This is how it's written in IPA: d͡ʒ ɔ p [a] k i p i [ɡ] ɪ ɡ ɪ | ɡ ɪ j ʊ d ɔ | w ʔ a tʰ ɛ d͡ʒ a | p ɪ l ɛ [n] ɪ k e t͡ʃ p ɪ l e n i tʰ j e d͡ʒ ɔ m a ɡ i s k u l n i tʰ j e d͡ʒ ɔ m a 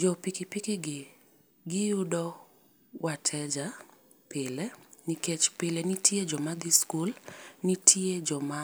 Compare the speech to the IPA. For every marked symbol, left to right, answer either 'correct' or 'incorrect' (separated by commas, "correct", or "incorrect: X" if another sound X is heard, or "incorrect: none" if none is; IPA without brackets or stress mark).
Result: incorrect: i, incorrect: k, correct